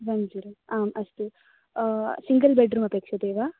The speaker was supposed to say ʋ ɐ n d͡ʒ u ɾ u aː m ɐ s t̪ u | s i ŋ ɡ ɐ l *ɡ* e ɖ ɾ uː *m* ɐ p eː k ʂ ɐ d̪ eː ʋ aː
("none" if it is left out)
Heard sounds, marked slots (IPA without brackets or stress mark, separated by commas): b, m